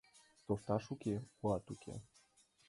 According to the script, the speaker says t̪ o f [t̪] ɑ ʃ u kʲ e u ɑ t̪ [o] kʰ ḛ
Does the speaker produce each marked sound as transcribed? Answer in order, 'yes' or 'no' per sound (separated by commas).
yes, no